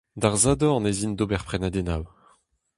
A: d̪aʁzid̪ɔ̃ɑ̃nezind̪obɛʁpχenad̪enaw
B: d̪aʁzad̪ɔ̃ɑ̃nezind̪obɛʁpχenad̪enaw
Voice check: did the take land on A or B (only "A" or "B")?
B